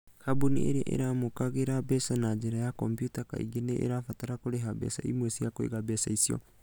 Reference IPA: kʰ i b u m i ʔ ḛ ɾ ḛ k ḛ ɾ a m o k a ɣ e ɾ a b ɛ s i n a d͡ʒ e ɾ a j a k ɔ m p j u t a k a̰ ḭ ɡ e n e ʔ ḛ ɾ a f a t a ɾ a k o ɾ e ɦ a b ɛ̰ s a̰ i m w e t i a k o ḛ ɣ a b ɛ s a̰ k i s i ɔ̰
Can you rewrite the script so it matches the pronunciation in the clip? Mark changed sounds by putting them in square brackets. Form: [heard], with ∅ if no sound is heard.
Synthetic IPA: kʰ [a] b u [n] i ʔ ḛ ɾ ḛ [ʔ] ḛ ɾ a m o k a ɣ e ɾ a b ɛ s [a] n a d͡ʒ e ɾ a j a k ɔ m p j u t a k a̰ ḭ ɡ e n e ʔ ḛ ɾ a f a t a ɾ a k o ɾ e ɦ a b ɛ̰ s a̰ i m w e [s] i a k o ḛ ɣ a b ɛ s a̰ [∅] i s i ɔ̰